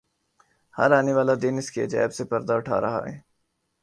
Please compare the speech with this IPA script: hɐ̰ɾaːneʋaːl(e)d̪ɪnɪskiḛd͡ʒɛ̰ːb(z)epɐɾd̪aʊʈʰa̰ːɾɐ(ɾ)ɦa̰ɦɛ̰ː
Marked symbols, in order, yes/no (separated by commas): no, no, no